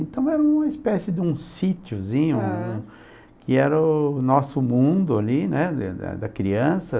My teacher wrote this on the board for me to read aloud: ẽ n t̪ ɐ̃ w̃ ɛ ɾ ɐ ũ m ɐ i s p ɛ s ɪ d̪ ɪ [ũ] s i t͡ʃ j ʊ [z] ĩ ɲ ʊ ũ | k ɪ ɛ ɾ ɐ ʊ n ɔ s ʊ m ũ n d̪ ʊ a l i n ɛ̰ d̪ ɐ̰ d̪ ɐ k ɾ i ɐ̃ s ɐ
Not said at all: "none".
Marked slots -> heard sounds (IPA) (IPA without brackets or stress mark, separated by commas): ũ, z